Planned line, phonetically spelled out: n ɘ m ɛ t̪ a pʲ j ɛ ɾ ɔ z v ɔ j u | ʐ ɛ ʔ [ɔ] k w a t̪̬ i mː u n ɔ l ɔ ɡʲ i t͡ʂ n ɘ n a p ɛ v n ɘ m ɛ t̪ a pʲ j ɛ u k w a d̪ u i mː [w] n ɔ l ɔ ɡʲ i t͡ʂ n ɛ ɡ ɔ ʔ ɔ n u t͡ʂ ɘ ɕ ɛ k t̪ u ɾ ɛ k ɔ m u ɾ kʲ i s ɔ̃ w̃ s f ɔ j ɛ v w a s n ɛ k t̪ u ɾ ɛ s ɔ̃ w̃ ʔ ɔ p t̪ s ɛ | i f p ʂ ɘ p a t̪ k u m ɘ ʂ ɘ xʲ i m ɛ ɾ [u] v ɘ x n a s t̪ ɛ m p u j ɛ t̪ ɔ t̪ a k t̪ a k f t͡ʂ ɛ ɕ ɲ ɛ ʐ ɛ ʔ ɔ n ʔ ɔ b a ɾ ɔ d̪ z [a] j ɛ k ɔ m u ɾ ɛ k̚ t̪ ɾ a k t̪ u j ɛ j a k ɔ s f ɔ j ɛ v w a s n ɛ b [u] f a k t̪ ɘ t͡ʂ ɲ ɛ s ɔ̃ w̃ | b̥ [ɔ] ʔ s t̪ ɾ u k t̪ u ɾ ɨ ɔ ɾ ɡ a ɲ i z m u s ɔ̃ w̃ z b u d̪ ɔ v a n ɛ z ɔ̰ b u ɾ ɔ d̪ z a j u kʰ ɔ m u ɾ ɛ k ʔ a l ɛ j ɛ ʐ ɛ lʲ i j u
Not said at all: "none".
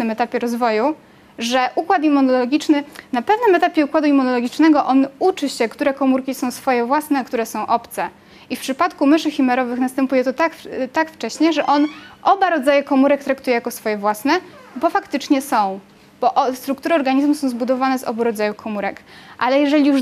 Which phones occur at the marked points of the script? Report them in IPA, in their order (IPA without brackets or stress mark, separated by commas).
u, u, ɔ, a, ɔ, ɔ